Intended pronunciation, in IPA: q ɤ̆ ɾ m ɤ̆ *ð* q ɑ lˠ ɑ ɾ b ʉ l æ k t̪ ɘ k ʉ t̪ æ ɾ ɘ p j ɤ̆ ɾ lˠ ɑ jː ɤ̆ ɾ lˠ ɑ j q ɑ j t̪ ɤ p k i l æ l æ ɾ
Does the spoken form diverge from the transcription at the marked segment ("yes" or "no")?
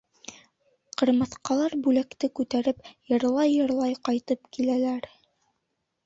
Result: yes